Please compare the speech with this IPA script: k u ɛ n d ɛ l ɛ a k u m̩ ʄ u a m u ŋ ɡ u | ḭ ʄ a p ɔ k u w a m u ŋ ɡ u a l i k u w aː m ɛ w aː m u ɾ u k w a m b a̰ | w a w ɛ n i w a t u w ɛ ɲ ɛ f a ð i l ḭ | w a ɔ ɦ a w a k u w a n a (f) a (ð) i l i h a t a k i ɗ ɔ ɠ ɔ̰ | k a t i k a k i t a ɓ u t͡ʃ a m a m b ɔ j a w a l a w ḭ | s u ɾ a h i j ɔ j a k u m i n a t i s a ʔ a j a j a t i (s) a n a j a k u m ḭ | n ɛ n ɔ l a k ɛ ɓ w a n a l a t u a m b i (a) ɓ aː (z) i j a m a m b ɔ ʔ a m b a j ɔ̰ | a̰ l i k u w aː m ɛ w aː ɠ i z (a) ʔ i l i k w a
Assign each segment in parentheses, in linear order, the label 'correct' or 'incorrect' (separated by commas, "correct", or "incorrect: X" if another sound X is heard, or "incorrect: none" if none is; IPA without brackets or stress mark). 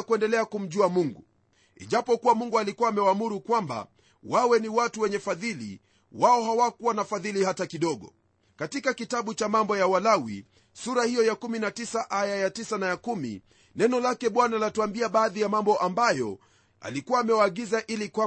correct, correct, correct, correct, incorrect: ð, correct